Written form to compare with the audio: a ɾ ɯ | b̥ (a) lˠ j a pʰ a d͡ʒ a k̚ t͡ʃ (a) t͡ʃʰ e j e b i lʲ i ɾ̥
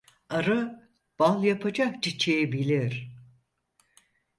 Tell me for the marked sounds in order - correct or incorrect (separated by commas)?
correct, incorrect